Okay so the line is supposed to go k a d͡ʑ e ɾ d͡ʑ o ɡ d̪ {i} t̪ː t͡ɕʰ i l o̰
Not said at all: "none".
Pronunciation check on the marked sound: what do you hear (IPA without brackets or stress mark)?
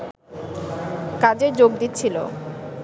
i